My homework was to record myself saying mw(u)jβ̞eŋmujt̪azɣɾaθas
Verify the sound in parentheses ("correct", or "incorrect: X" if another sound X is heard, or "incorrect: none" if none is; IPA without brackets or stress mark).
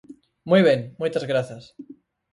correct